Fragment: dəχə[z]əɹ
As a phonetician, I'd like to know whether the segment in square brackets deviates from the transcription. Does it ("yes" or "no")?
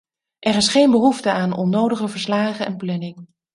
yes